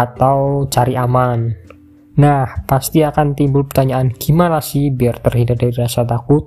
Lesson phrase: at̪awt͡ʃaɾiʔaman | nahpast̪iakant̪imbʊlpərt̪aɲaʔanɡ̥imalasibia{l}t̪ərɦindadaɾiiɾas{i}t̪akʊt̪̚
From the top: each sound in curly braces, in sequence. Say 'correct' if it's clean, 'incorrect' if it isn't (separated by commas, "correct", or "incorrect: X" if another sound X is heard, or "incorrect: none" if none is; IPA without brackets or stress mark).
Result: incorrect: r, incorrect: a